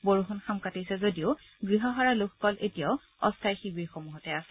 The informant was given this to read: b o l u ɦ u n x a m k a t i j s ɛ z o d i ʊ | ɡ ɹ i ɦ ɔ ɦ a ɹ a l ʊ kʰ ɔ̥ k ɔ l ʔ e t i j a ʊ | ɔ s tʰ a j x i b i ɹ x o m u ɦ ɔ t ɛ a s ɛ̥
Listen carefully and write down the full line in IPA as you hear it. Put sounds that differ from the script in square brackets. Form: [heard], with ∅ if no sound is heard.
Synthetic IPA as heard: b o [ɹ] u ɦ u n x a m k a t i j s ɛ z o d i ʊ | ɡ ɹ i ɦ ɔ ɦ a ɹ a l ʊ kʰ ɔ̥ k ɔ l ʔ e t i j a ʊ | ɔ s tʰ a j x i b i ɹ x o m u ɦ ɔ t ɛ a s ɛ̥